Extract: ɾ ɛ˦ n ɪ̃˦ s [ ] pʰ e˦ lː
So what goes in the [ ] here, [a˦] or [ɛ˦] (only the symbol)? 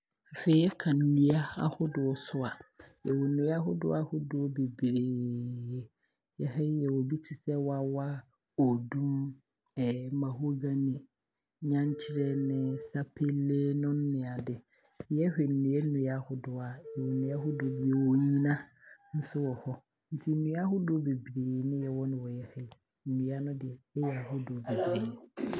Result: a˦